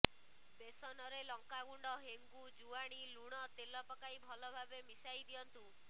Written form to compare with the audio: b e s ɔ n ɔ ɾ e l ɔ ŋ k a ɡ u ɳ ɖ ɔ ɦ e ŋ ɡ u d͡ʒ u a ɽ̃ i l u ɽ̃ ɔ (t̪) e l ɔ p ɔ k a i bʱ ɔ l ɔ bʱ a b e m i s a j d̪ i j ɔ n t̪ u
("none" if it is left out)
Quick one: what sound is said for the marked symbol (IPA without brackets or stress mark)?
t̪